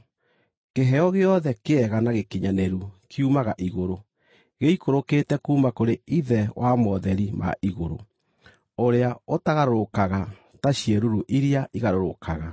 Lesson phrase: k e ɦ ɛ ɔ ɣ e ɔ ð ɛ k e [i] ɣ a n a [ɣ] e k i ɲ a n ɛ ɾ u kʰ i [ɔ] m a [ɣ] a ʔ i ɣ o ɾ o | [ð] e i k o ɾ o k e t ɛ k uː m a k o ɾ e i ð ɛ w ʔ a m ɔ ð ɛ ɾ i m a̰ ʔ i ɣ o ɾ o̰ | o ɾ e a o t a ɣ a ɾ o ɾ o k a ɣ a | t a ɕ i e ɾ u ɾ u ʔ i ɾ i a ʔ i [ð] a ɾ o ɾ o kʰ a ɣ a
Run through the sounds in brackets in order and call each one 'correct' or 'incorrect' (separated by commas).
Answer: incorrect, correct, incorrect, correct, incorrect, incorrect